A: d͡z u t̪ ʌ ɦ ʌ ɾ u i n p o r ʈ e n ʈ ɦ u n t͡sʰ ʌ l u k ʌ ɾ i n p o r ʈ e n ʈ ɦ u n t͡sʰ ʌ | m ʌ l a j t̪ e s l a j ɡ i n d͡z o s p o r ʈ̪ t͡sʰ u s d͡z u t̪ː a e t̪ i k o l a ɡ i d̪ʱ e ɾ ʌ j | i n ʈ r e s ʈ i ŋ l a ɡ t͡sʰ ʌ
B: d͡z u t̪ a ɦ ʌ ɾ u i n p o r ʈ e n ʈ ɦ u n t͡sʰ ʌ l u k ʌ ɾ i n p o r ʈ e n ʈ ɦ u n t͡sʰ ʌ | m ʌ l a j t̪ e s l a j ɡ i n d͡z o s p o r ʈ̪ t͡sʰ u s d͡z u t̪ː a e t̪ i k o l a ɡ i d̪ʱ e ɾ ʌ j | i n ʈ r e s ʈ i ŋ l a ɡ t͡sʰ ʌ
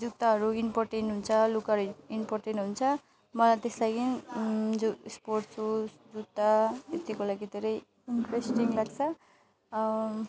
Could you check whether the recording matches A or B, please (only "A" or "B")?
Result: B